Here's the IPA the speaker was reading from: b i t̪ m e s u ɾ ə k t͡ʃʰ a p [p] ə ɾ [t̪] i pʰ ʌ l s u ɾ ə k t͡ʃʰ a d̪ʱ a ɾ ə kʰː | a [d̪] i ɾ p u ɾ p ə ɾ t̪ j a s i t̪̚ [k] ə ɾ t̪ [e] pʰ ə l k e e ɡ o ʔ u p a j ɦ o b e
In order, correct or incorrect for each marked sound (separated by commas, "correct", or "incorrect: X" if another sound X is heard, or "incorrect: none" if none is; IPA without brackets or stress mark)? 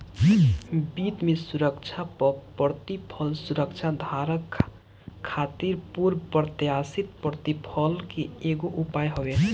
correct, correct, incorrect: t̪, incorrect: p, incorrect: i